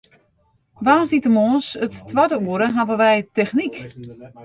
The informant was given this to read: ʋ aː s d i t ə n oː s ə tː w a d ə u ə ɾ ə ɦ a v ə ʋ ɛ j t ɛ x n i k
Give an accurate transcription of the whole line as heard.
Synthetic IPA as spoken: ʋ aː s d i t ə m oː s ə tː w a d ə u ə ɾ ə ɦ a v ə ʋ ɛ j t ɛ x n i k